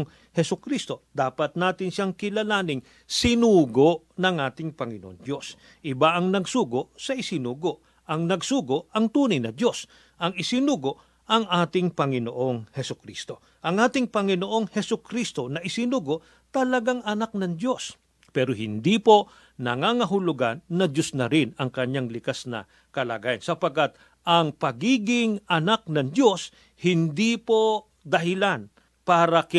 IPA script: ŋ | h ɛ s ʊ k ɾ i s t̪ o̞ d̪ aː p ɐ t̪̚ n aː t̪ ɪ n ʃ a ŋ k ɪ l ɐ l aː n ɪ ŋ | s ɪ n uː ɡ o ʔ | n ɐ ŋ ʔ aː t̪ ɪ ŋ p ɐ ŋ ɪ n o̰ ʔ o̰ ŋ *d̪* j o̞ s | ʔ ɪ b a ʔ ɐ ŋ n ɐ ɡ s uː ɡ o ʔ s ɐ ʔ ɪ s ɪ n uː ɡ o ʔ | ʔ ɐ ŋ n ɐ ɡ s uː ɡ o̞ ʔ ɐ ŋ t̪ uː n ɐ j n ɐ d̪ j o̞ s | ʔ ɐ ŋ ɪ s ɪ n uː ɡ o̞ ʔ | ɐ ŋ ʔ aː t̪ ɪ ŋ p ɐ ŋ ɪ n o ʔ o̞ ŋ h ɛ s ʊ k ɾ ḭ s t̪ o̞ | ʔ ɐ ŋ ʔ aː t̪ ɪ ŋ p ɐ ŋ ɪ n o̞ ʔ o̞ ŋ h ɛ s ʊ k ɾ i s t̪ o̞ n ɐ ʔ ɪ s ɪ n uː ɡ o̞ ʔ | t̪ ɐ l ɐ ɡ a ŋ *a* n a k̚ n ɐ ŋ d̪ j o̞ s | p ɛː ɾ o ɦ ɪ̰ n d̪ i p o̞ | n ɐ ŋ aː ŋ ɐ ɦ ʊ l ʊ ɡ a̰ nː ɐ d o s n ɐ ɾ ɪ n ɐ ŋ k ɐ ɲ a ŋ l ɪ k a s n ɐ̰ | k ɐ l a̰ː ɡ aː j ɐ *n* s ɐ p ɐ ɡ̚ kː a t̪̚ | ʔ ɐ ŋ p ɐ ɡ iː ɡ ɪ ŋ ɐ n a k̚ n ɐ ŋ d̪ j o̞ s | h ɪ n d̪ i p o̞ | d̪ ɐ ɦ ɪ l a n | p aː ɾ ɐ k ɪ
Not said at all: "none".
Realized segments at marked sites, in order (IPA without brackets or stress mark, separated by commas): d̪, ɐ, n